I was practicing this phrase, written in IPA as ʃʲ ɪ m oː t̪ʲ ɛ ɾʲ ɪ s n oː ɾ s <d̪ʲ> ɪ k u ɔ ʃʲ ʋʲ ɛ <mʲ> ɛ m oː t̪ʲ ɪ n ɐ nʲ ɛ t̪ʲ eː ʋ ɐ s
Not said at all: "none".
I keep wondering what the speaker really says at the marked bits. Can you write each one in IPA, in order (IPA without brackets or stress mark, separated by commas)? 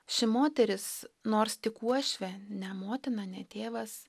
t̪ʲ, nʲ